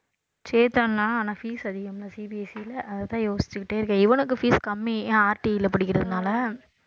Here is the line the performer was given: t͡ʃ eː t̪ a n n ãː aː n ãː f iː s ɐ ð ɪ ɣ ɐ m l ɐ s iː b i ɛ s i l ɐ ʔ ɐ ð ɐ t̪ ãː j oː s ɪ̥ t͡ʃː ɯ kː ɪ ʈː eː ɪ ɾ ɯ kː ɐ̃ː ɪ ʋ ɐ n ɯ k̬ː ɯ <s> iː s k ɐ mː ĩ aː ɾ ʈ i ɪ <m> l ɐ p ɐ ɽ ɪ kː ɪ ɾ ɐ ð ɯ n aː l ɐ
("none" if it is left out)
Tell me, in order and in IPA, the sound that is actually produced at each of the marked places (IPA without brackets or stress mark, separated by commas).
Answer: f, none